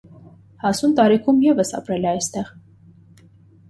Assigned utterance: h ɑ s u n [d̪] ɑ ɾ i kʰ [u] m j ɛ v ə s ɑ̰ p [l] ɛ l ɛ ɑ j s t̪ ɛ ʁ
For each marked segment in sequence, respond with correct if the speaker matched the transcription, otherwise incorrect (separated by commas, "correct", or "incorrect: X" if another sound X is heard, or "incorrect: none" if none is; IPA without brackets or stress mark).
incorrect: t̪, correct, incorrect: ɾ